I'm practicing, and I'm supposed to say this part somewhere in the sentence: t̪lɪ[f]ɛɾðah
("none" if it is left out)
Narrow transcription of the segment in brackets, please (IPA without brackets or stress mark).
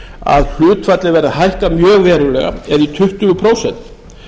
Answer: v